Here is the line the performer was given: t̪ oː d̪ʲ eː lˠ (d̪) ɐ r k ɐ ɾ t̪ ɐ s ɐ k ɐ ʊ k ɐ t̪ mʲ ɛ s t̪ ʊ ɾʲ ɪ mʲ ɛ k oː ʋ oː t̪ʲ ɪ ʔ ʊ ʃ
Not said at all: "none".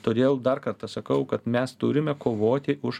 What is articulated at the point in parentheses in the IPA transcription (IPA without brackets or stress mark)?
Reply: d̪